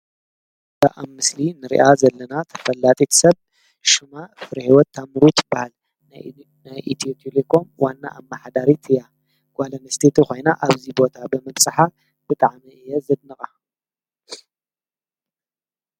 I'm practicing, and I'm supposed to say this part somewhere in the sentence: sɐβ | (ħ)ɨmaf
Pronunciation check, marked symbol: incorrect: ʃ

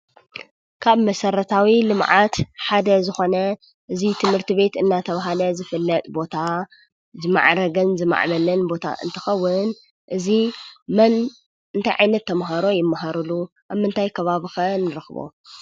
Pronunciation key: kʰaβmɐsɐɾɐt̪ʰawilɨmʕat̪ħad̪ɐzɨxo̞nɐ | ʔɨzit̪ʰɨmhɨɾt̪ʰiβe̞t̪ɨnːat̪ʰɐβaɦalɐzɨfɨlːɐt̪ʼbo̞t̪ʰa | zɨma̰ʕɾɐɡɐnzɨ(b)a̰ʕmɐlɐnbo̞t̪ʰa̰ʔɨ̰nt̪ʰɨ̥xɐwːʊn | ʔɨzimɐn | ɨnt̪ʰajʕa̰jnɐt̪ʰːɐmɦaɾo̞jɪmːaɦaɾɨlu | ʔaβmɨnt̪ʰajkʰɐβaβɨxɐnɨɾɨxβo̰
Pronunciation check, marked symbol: incorrect: m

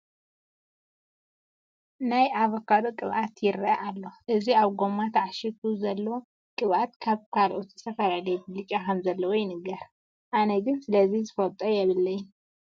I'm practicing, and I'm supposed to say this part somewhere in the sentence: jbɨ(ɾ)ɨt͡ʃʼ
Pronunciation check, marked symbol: incorrect: l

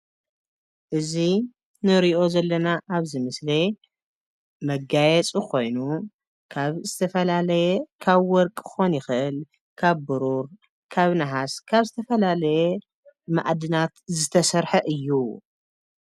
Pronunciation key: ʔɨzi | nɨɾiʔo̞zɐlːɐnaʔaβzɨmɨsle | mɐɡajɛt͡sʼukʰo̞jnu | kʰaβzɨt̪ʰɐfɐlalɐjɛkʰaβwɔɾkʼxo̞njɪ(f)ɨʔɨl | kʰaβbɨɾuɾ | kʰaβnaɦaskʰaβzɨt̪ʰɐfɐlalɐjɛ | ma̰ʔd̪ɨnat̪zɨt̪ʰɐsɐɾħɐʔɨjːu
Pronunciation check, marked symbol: incorrect: x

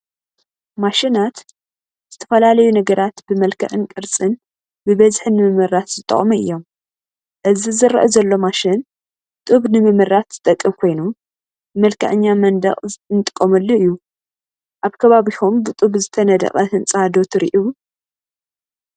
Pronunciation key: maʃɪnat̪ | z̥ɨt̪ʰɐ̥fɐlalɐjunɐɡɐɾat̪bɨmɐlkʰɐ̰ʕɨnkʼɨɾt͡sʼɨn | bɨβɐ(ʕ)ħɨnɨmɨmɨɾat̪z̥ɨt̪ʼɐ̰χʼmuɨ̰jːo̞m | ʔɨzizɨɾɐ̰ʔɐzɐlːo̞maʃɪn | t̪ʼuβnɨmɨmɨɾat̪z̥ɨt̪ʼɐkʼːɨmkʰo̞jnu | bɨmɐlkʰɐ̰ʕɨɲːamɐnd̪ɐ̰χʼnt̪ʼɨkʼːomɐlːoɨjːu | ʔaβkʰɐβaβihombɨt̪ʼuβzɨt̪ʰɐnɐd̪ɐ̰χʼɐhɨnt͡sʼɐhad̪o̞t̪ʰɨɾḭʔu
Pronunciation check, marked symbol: incorrect: z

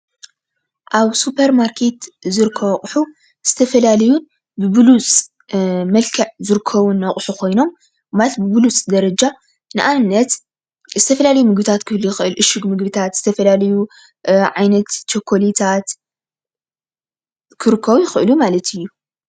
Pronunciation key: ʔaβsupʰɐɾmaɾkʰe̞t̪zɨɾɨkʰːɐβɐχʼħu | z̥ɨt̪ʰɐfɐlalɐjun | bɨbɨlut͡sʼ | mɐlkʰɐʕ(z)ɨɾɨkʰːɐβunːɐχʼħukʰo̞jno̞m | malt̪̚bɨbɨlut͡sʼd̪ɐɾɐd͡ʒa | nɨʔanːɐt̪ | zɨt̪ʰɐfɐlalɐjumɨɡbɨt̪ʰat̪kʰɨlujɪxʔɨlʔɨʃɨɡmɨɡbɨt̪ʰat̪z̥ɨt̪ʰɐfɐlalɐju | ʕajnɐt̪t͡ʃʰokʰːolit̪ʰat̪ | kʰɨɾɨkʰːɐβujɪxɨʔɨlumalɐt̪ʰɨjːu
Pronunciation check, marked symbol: correct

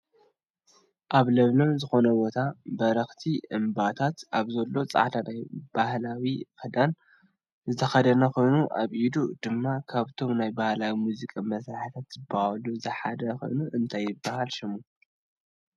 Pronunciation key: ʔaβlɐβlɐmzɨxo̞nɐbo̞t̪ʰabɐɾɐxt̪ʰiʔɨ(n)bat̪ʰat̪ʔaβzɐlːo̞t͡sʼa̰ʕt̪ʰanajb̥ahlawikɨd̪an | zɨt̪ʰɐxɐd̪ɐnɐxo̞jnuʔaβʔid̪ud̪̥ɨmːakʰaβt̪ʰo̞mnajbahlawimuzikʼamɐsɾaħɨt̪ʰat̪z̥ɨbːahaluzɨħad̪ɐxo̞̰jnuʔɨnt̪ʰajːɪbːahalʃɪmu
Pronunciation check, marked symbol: incorrect: m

